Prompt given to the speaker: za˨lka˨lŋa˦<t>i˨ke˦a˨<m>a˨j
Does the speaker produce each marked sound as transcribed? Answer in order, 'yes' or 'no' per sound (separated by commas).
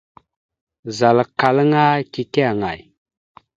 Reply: no, no